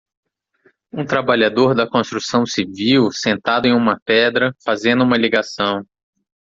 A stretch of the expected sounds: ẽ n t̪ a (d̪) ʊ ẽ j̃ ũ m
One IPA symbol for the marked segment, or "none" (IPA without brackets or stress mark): d̪